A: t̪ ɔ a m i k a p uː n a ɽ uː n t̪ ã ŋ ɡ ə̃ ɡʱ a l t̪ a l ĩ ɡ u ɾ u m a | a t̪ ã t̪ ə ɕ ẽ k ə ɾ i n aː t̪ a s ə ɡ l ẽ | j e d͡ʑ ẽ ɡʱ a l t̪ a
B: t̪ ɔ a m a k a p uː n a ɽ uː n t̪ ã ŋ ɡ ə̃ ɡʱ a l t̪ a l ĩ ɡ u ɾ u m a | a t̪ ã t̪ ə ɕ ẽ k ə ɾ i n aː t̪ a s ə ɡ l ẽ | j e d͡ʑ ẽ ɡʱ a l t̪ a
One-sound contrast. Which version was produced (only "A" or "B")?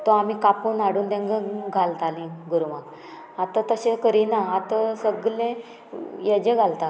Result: A